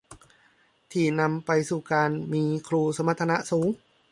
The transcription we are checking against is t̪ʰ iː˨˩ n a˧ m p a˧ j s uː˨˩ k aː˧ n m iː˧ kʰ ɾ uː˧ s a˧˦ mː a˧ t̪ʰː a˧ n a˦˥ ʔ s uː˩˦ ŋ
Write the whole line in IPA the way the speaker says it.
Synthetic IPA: t̪ʰ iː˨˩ n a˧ m p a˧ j s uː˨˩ k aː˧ n m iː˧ kʰ ɾ uː˧ s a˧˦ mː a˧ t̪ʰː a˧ n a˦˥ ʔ s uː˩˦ ŋ